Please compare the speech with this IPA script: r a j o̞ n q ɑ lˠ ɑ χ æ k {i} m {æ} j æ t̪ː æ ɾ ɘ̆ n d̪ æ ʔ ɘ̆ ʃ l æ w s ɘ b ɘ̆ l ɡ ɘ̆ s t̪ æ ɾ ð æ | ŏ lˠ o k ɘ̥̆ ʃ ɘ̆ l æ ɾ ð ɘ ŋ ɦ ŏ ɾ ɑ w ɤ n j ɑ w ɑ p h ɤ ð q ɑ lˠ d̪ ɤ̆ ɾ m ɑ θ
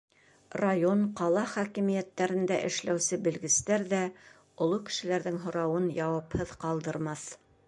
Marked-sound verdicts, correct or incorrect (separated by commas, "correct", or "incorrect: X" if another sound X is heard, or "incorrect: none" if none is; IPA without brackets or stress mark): correct, incorrect: i